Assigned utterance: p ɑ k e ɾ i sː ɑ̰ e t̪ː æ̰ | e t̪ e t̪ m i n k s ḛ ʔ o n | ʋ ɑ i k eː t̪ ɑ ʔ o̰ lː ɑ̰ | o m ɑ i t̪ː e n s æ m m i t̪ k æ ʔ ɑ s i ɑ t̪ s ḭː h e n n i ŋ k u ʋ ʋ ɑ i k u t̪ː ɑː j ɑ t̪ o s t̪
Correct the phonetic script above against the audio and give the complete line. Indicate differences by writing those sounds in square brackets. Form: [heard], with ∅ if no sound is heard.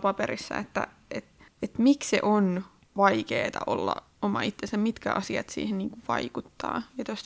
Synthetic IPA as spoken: p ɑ [p] e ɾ i sː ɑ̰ e t̪ː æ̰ | e t̪ e t̪ m i [∅] k s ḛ ʔ o n | ʋ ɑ i k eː t̪ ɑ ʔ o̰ lː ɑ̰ | o m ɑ i t̪ː e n s æ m m i t̪ k æ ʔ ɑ s i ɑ t̪ s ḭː h e n n [iː] ŋ k u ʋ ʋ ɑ i k u t̪ː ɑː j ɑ t̪ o s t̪